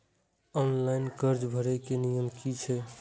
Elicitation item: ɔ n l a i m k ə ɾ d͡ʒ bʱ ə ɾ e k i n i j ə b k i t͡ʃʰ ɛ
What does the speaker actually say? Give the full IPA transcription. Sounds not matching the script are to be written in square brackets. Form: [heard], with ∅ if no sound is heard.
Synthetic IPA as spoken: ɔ n l a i [n] k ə ɾ d͡ʒ bʱ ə ɾ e k [e] n i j ə [m] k i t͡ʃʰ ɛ